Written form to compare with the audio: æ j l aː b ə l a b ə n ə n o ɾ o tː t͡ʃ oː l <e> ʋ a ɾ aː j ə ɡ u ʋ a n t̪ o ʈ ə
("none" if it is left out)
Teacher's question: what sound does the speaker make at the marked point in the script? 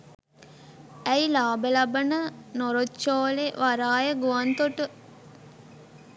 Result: e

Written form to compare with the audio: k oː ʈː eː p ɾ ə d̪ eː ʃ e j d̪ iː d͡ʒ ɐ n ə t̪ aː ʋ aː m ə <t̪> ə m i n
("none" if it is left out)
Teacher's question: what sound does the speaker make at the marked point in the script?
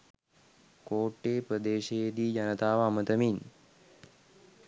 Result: t̪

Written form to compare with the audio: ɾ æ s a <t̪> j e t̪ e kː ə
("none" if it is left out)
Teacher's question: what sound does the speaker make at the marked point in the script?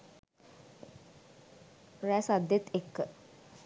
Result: d̪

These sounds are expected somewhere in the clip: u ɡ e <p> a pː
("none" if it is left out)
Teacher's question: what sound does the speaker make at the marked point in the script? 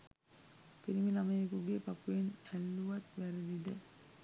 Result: p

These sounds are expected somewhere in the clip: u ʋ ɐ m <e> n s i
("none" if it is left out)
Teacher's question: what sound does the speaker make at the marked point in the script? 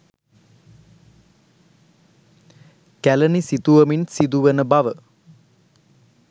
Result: i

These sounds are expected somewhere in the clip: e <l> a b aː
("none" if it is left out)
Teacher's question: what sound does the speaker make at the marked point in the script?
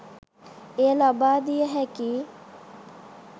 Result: l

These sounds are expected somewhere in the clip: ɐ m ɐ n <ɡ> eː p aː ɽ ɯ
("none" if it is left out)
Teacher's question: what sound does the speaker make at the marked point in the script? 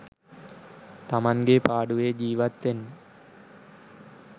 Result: ɡ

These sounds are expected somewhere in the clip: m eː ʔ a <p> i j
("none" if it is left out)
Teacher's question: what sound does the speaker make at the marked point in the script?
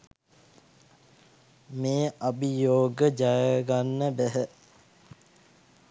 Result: b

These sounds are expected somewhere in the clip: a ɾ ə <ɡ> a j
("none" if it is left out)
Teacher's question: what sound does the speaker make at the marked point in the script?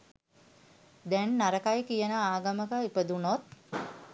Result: k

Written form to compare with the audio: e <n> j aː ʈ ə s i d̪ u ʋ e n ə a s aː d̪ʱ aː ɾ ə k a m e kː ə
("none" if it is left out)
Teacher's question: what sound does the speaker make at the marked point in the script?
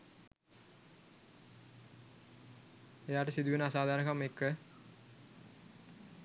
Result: none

